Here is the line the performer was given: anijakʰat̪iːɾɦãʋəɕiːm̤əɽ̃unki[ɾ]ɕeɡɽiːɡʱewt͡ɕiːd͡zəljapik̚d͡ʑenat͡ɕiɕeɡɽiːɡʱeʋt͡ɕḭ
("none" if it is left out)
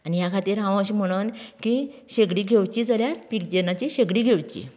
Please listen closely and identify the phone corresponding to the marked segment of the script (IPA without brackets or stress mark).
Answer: none